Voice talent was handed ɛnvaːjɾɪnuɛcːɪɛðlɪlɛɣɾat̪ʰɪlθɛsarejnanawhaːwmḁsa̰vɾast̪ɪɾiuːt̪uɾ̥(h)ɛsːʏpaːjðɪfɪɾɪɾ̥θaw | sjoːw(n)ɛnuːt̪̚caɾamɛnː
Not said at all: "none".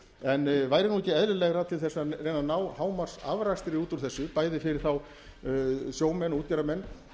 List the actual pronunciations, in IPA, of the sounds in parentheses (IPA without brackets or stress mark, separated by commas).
θ, m